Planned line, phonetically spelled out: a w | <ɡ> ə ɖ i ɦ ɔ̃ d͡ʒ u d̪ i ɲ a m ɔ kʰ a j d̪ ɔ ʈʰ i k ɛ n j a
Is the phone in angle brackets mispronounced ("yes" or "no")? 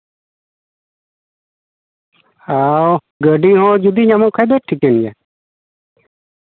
no